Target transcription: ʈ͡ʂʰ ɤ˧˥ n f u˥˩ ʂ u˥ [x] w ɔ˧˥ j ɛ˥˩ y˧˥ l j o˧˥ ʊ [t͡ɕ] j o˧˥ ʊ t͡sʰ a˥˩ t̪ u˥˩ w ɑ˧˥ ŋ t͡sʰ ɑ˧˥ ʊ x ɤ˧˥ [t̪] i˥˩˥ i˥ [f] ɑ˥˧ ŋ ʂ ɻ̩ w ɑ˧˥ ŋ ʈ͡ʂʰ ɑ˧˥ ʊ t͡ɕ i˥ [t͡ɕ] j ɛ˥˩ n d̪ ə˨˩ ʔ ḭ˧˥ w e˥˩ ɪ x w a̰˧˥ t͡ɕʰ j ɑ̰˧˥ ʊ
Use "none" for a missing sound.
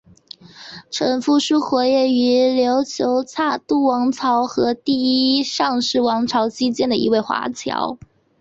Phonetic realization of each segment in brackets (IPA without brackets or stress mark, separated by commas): x, t͡ɕʰ, t̪, ʂ, t͡ɕ